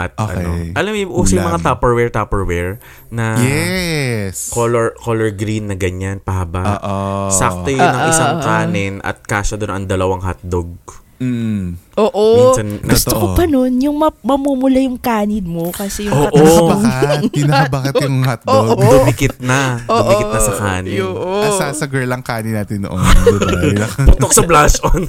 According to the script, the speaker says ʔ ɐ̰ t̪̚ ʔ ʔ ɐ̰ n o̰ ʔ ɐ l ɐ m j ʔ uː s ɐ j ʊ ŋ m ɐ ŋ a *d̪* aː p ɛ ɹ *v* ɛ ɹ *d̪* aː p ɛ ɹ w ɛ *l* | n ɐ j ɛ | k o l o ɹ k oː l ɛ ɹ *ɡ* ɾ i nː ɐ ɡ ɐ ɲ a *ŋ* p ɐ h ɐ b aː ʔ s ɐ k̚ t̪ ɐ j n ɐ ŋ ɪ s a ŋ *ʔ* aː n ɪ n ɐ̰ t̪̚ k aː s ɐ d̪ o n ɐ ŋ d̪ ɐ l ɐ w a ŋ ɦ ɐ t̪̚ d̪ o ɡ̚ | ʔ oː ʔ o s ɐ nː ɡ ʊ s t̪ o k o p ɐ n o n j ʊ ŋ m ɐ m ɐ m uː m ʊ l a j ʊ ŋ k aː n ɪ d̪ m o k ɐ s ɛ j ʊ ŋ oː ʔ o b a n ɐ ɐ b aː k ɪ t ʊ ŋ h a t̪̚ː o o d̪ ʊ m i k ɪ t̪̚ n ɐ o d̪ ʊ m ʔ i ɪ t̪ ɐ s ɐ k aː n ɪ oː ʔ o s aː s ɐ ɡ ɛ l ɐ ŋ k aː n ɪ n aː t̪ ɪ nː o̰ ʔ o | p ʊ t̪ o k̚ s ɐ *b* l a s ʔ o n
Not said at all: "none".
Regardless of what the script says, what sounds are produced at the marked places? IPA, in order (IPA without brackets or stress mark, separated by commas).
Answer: t̪, w, t̪, ɹ, ɡ, n, k, b